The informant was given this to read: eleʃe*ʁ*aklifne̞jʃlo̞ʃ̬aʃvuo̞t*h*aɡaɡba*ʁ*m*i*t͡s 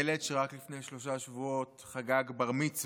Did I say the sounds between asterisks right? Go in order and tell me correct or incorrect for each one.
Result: correct, incorrect: χ, correct, correct

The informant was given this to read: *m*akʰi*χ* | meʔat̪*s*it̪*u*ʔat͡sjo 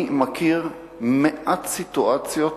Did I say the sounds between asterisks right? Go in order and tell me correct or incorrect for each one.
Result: correct, incorrect: ʁ, correct, correct

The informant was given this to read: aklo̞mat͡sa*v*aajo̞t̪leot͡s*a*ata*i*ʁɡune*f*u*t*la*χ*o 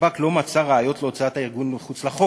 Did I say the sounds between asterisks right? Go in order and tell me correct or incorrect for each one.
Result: incorrect: ʁ, correct, correct, incorrect: χ, incorrect: t͡s, correct

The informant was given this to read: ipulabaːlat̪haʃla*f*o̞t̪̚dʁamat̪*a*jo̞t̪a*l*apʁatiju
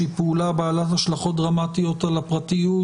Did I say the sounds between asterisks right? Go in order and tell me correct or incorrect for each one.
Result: incorrect: χ, incorrect: i, correct

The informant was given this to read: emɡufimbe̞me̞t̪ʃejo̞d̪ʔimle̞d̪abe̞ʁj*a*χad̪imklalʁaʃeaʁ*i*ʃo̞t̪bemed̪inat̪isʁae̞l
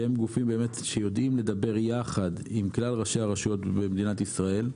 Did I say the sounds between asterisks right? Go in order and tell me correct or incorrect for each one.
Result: correct, incorrect: a

